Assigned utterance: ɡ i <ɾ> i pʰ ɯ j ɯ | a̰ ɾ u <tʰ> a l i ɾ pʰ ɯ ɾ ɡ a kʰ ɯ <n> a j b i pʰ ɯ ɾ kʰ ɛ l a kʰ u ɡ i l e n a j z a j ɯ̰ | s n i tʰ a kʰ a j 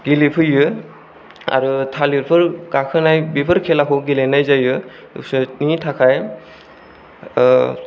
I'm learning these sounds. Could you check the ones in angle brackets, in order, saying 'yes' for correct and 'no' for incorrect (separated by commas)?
no, yes, yes